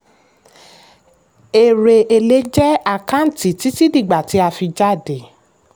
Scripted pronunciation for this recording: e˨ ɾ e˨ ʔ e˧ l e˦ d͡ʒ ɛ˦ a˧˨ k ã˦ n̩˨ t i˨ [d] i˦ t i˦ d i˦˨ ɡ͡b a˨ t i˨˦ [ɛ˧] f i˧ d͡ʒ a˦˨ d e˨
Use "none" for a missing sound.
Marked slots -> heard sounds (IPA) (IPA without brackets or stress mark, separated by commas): t, a˧